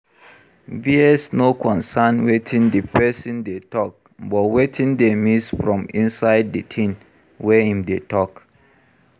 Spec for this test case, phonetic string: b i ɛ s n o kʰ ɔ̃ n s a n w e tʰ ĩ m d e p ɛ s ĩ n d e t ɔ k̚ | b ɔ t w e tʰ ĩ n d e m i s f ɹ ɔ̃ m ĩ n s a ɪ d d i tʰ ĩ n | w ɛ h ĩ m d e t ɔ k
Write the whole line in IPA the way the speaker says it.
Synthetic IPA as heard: b i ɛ s n o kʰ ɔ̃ n s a n w e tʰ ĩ n d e p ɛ s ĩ n d e t ɔ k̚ | b ɔ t w e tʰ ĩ n d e m i s f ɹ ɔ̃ m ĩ n s a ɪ d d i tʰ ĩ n | w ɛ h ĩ m d e t ɔ k